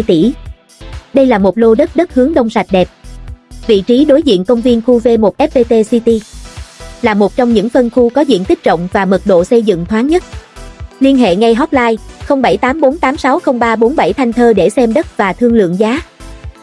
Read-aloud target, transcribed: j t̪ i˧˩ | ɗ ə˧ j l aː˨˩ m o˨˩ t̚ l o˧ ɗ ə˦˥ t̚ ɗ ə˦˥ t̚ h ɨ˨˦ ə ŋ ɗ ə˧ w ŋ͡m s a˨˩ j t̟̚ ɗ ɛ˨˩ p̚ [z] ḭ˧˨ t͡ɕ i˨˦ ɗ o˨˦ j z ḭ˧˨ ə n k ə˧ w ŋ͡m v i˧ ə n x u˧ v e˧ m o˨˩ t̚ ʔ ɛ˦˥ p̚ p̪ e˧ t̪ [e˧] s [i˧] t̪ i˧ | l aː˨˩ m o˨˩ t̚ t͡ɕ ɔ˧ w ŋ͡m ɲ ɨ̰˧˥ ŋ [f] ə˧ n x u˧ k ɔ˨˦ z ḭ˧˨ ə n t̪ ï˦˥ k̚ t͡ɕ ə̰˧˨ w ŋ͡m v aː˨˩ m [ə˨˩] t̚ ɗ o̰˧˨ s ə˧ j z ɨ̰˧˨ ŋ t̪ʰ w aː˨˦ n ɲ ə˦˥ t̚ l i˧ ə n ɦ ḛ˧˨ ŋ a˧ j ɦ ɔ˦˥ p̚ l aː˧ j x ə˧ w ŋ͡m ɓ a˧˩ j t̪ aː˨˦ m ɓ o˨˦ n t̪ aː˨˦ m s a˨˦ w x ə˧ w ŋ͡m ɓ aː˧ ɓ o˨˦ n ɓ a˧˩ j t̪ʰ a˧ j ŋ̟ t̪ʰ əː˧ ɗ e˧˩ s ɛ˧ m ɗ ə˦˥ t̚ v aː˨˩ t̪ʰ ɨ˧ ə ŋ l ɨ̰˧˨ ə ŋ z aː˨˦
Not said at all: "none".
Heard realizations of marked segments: v, e˧, i˧, f, ə˨˩

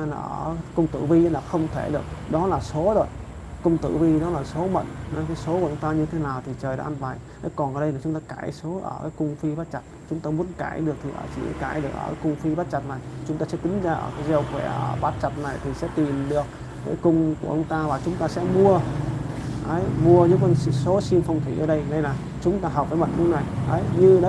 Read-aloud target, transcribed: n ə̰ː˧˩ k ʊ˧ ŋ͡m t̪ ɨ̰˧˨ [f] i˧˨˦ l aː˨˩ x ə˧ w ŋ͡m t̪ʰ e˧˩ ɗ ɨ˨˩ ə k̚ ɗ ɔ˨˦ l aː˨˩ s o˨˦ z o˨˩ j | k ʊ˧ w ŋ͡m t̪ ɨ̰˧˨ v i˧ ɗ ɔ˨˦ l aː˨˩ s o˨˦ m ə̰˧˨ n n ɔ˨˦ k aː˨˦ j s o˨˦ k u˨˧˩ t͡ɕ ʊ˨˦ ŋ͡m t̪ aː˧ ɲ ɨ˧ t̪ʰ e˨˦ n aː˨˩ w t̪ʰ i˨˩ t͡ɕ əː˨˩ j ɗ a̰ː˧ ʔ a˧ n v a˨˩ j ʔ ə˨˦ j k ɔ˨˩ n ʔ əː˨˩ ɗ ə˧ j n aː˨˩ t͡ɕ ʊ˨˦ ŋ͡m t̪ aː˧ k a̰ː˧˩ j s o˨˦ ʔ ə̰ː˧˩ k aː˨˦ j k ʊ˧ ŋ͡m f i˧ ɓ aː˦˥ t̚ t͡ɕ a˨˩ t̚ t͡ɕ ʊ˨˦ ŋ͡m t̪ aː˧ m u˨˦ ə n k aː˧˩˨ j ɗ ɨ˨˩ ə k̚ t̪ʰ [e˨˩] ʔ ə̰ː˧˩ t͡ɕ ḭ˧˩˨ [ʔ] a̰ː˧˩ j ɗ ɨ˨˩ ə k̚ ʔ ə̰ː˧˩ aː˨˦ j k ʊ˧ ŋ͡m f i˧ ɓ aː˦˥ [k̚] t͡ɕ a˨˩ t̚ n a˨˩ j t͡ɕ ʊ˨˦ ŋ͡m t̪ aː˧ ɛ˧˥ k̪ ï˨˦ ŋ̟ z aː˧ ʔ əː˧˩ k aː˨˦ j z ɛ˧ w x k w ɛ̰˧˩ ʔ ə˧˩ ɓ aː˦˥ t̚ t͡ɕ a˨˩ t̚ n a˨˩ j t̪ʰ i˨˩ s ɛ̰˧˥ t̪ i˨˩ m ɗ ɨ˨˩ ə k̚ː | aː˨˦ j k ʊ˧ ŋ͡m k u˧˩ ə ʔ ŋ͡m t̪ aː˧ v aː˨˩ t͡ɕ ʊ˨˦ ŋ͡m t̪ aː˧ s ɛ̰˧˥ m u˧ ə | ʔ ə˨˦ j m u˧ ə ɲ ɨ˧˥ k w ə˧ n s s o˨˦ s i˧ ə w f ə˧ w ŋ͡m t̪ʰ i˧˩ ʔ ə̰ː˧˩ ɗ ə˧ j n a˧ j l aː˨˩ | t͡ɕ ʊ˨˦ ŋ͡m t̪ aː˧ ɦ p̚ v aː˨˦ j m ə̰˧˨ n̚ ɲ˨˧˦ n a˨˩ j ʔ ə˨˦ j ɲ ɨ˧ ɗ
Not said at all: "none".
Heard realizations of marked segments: v, i˨˩, k, t̚

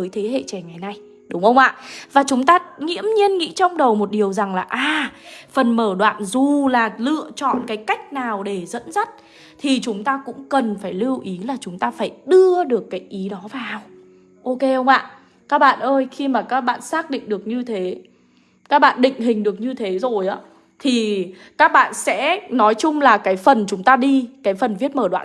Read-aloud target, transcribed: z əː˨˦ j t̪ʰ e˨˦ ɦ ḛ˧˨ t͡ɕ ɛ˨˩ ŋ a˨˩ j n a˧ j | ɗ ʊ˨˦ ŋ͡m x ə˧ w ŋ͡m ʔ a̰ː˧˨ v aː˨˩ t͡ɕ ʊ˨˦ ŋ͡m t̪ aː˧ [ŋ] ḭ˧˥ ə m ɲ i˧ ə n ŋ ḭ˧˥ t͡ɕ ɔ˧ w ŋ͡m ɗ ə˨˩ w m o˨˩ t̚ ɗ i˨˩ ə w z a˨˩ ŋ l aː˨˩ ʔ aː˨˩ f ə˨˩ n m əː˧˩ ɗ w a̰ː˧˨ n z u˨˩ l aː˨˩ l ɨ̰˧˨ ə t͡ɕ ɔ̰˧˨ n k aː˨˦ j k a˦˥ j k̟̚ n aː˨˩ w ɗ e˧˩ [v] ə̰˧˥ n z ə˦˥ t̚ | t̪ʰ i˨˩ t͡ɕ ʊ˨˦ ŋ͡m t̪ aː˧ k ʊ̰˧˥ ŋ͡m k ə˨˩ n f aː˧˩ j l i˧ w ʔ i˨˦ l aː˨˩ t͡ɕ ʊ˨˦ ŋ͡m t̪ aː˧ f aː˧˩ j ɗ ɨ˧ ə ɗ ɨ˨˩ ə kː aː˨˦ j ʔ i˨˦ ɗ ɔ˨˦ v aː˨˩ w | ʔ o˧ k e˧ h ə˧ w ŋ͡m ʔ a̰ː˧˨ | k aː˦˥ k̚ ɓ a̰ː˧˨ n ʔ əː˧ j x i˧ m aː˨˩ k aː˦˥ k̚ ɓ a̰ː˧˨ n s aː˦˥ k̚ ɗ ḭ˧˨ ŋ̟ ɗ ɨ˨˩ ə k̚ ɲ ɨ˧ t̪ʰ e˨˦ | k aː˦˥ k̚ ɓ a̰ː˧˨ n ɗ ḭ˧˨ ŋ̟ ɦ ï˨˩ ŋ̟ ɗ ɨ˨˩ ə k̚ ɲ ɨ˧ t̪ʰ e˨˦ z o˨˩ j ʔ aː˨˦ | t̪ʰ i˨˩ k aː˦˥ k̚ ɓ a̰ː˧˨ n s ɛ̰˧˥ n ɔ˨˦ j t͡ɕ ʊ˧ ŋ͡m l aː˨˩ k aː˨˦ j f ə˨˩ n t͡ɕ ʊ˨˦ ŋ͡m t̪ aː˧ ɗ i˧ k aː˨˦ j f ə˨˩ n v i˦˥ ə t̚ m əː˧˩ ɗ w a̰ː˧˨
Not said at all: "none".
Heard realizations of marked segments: ŋ, z

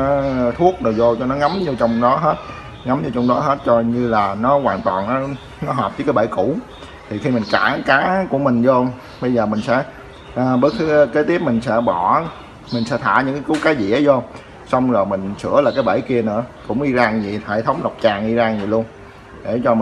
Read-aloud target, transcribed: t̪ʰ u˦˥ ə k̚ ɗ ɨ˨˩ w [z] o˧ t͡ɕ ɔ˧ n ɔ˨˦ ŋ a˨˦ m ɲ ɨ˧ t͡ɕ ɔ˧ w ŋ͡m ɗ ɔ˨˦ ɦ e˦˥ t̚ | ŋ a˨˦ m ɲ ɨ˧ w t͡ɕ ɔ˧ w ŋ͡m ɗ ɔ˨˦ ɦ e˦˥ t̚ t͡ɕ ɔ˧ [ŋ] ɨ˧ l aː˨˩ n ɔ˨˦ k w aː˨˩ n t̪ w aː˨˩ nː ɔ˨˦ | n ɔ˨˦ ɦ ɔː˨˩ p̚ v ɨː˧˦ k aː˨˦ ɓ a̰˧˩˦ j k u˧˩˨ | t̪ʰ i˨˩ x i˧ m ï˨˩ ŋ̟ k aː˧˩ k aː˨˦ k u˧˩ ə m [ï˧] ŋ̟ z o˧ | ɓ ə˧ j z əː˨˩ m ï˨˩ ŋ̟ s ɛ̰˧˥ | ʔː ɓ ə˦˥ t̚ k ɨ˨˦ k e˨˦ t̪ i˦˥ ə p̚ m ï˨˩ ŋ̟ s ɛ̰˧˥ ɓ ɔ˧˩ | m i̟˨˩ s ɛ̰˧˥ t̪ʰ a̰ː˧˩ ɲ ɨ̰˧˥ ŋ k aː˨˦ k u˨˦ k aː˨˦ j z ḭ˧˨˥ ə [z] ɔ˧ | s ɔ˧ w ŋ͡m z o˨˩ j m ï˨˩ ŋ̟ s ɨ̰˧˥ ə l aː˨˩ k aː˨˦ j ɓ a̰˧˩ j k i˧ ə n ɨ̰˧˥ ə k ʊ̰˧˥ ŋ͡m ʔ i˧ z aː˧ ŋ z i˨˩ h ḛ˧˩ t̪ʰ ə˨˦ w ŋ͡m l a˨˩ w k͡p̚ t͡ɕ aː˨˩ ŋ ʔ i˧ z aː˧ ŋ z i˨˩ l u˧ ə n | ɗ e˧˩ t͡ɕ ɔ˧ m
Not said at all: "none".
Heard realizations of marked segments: z, ɲ, ï˨˩, z

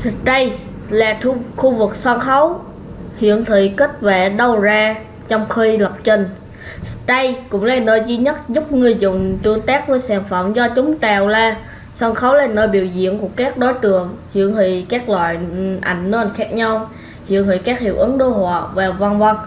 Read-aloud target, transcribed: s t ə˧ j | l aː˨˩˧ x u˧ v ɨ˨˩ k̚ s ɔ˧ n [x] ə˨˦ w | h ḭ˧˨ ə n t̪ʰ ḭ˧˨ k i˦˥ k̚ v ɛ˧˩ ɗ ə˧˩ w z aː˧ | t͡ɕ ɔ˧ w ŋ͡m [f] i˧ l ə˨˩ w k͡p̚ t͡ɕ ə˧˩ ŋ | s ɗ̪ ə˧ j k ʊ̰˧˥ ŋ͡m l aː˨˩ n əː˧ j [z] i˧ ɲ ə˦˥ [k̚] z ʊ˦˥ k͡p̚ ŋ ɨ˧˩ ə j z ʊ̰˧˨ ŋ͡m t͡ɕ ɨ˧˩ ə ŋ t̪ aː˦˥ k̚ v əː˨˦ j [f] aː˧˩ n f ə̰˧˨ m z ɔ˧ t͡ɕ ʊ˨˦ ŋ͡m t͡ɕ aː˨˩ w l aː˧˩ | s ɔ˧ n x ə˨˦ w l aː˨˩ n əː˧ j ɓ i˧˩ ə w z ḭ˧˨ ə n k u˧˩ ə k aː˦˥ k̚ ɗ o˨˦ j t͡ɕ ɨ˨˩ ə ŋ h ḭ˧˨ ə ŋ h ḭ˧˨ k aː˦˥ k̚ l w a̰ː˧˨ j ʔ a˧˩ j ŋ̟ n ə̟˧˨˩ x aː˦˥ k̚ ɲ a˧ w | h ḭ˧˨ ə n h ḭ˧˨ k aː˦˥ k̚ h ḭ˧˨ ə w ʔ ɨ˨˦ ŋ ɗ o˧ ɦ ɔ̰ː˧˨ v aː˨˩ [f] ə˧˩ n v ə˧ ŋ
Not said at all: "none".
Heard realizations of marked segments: x, x, z, t̚, s, v

